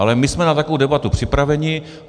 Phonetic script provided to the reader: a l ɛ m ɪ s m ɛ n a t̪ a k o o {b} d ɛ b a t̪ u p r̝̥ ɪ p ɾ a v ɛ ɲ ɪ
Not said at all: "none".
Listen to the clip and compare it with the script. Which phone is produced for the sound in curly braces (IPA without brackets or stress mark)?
w